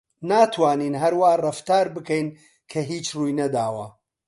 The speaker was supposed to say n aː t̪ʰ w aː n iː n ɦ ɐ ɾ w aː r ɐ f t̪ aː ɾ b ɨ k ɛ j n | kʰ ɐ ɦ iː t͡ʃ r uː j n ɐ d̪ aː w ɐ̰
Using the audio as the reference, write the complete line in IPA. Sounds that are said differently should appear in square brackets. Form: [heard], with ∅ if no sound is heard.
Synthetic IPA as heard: n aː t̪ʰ w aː n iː n ɦ ɐ ɾ w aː r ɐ f t̪ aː ɾ b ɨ k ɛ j n | kʰ ɐ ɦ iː t͡ʃ r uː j n ɐ d̪ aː w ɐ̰